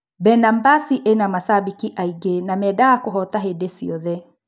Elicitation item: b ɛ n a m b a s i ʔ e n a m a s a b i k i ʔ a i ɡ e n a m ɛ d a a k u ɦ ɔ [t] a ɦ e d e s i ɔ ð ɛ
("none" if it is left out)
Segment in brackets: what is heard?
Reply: t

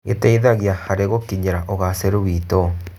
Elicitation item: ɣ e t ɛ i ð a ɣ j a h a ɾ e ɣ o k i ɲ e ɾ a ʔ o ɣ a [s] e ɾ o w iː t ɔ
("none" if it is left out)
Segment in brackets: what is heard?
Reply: s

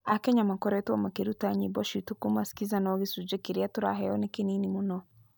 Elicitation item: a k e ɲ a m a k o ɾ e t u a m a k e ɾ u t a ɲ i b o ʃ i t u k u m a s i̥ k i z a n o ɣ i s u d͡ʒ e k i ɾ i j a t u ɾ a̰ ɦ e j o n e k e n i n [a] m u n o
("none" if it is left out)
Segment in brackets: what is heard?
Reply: i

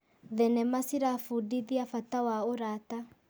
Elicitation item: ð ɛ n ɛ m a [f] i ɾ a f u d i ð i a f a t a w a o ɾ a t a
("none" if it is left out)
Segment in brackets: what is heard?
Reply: s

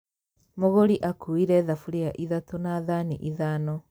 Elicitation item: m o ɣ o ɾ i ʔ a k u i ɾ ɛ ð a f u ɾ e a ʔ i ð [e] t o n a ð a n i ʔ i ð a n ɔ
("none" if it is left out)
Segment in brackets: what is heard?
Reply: a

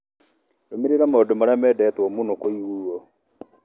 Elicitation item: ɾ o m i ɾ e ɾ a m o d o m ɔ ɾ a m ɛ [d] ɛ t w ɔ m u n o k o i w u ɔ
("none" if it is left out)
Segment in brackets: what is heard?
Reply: d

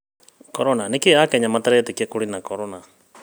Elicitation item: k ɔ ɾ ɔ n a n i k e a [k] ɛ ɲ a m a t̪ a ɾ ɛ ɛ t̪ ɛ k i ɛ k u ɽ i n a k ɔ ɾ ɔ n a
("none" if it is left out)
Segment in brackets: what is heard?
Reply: k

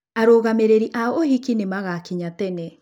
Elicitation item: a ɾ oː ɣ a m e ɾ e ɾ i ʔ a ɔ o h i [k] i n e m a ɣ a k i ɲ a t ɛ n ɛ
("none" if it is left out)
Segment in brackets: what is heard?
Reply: k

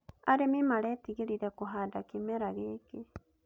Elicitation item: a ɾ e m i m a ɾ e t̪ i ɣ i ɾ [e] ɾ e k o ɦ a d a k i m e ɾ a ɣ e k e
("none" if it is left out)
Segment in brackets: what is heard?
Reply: i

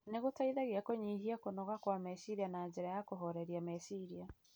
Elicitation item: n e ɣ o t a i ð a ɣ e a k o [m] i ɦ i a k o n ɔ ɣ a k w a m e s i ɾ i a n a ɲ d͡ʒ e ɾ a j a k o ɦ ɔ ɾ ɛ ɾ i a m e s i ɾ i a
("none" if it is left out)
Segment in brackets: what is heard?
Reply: ɲ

